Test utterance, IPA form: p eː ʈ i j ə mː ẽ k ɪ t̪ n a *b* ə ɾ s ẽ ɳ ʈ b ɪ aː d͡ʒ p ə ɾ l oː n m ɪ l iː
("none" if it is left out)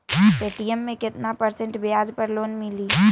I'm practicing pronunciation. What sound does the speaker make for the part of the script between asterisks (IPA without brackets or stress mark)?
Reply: p